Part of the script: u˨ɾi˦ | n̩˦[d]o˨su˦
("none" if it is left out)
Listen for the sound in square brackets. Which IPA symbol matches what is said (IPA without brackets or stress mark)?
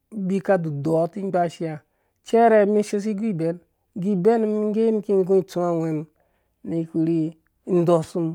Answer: d